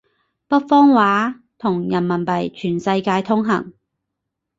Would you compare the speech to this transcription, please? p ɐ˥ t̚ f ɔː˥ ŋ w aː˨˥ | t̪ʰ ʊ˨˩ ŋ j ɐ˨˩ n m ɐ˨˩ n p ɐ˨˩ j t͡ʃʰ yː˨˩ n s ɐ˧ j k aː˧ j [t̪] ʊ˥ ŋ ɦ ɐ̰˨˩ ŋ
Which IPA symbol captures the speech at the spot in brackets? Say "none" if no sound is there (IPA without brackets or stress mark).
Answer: t̪ʰ